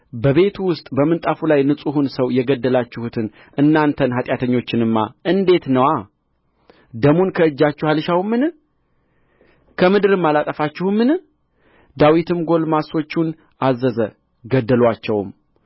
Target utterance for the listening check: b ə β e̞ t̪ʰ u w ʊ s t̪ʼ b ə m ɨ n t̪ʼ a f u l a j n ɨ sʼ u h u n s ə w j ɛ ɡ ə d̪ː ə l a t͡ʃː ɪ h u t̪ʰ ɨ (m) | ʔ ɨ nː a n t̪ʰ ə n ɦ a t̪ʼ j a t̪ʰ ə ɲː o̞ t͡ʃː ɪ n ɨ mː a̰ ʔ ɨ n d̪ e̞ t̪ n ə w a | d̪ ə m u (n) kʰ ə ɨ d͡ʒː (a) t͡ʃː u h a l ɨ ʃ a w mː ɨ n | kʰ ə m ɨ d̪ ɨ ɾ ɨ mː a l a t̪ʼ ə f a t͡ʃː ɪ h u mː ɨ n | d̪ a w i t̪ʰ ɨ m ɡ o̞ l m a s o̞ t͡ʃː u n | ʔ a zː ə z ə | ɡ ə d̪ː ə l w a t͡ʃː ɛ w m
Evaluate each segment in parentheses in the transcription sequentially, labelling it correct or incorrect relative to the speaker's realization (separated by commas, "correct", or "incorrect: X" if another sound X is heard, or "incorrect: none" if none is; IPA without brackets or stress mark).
incorrect: n, correct, correct